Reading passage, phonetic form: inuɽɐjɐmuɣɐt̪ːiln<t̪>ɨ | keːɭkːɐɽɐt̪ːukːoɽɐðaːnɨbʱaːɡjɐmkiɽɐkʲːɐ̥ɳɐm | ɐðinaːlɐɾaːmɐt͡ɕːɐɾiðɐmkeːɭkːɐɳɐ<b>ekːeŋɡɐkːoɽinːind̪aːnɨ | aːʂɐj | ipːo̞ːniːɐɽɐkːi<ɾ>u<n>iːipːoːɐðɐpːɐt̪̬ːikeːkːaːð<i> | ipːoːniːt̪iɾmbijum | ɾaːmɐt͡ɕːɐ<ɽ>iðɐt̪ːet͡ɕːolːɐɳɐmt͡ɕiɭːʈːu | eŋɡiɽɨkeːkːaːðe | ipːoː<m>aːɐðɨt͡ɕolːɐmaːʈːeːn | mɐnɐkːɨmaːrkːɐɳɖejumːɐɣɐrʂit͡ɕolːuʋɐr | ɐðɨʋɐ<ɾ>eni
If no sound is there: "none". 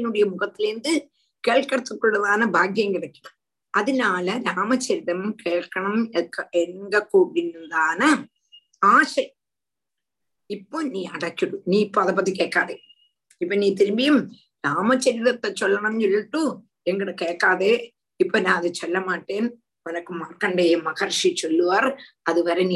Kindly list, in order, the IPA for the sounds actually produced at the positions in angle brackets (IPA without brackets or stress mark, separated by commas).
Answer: d̪, m, ɽ, n, e, ɾ, n, ɾ